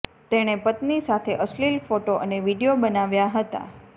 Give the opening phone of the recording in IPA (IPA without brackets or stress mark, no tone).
t̪